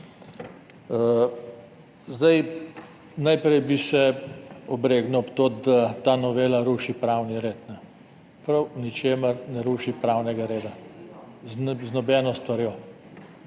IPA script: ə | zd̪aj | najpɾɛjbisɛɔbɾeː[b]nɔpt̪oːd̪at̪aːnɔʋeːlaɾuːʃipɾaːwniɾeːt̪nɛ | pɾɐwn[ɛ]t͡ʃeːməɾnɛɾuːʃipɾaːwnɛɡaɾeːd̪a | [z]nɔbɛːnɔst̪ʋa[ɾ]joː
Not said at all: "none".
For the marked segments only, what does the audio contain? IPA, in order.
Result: ɡ, i, z, ɾ

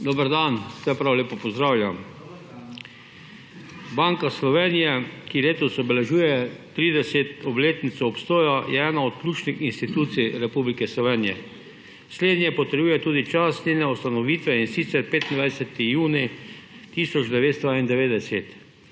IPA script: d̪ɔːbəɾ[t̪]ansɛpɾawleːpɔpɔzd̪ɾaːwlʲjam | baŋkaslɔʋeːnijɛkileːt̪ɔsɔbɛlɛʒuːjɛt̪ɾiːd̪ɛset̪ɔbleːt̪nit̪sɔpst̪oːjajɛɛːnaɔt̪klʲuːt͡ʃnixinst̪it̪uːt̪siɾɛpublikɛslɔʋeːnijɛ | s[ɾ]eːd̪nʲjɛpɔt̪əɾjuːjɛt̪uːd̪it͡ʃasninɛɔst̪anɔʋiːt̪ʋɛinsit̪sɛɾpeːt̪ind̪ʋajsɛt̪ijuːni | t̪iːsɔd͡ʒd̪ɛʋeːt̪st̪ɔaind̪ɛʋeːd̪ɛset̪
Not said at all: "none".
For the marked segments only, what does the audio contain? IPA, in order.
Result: d̪, l

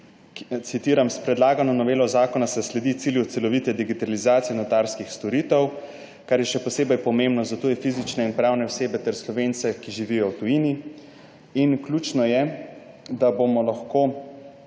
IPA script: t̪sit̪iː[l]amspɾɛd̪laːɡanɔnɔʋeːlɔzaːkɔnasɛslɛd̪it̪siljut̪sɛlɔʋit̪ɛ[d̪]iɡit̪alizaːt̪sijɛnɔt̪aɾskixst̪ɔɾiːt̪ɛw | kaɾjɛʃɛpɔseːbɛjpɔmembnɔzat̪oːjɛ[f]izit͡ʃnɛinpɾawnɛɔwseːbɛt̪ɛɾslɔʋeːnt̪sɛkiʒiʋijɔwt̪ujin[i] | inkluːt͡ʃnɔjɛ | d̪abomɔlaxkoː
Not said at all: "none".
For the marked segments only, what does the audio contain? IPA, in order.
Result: ɾ, d̪, f, i

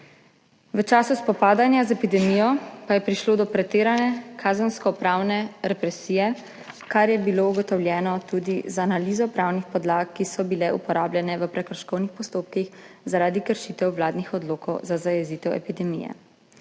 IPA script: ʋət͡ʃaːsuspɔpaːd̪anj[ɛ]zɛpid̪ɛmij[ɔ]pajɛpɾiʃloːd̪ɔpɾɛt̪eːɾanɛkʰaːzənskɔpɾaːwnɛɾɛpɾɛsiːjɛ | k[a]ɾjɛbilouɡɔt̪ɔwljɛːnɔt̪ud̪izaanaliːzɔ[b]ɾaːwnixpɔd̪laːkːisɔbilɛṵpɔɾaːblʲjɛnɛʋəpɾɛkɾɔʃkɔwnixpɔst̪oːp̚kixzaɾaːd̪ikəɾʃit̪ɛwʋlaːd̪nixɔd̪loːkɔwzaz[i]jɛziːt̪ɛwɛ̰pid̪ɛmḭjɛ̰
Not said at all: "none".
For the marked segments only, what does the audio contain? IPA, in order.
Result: a, ɔ, a, p, a

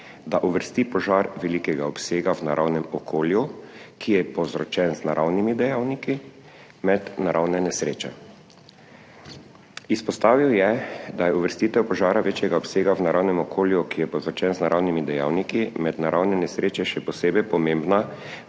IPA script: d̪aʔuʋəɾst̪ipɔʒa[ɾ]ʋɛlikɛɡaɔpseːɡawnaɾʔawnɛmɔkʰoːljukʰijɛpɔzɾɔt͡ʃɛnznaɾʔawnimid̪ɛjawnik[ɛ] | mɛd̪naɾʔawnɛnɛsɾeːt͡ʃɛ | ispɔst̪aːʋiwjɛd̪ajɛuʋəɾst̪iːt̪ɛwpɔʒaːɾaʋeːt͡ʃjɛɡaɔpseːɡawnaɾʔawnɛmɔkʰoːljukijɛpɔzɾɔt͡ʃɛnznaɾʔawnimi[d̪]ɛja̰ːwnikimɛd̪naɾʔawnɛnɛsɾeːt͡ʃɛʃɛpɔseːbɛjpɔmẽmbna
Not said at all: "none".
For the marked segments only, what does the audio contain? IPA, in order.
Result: ɾ, i, d̪

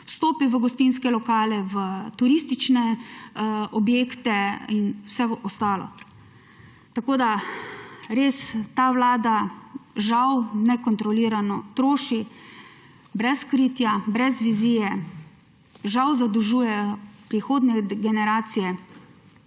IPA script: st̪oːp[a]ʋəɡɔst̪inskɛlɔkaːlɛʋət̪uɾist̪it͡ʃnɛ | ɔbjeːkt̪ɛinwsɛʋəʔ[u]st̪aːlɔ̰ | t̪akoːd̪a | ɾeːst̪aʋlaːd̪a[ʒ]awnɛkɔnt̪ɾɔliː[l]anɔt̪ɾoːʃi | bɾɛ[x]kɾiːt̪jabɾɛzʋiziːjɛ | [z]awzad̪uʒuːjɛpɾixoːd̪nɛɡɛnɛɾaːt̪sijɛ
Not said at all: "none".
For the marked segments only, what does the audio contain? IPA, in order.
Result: i, ɔ, ʒ, ɾ, s, ʒ

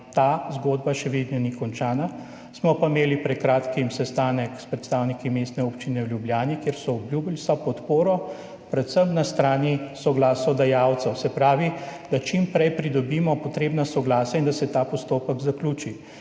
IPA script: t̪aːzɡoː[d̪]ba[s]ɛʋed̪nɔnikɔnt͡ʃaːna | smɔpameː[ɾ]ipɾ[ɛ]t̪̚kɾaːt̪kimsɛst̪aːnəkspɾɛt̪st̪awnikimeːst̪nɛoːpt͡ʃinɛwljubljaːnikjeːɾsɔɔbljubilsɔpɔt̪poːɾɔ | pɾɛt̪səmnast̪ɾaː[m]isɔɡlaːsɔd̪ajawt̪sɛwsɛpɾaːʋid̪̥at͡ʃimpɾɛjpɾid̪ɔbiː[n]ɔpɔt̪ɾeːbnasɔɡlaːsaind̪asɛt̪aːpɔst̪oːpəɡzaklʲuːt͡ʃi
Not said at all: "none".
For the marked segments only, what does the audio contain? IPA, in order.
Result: d̪, ʃ, l, ɛ, n, m

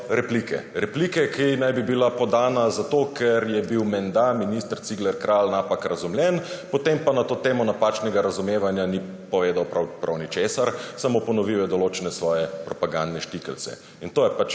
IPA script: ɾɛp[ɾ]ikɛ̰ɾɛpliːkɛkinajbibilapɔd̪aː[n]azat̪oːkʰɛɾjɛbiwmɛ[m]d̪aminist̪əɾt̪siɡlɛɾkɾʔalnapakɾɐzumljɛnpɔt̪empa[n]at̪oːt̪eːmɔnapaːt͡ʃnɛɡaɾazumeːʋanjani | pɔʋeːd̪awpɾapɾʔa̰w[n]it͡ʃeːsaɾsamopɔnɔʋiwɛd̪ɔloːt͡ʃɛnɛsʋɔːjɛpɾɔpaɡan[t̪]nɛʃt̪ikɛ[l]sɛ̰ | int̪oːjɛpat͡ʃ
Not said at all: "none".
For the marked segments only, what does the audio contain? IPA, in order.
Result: l, n, n, n, n, d̪, l

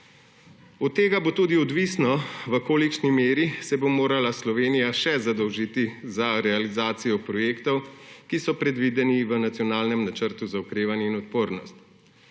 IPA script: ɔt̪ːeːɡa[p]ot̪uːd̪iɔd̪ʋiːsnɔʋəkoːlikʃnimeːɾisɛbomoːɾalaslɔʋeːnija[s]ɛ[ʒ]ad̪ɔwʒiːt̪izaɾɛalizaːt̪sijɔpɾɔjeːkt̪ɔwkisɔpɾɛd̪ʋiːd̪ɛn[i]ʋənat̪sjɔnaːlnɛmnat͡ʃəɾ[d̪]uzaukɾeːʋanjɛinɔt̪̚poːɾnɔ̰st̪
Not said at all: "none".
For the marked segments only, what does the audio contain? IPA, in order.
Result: b, ʃ, z, i, t̪

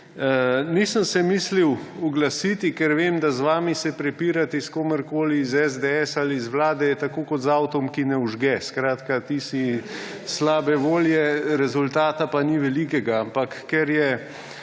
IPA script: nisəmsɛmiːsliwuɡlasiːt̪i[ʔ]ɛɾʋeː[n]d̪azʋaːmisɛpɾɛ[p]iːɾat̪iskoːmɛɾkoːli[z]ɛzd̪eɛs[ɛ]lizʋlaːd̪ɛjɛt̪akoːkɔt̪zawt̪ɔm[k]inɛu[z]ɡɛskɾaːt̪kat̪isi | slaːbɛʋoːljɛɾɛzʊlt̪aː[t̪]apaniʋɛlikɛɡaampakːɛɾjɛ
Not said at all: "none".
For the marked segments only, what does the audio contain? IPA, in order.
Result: k, m, p, z, a, k, ʒ, t̪

